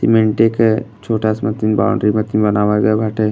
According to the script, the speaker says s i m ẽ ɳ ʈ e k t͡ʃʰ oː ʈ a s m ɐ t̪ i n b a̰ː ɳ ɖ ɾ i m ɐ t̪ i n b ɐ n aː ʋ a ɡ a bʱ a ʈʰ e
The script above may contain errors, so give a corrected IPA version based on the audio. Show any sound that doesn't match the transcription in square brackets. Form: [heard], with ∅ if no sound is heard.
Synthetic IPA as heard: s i m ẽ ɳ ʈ e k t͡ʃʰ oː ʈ a s m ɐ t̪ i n b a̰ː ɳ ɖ ɾ i m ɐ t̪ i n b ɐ n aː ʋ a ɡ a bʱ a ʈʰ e